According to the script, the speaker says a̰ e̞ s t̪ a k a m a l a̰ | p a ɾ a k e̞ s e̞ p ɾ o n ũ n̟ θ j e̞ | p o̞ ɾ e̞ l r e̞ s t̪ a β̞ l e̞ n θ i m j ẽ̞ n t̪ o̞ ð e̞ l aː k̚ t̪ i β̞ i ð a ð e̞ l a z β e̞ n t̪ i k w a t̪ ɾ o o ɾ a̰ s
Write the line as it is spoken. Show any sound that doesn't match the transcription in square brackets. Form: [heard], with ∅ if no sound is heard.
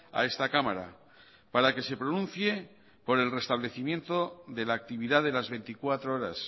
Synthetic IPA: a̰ e̞ s t̪ a k a m a [ɾ] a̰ | p a ɾ a k e̞ s e̞ p ɾ o n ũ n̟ θ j e̞ | p o̞ ɾ e̞ l r e̞ s t̪ a β̞ l e̞ [∅] θ i m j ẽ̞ n t̪ o̞ ð e̞ l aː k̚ t̪ i β̞ i ð a ð e̞ l a z β e̞ n t̪ i k w a t̪ ɾ o o ɾ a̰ s